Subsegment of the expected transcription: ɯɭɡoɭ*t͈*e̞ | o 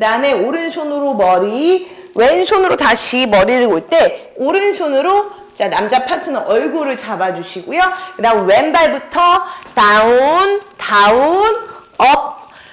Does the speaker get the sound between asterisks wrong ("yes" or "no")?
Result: no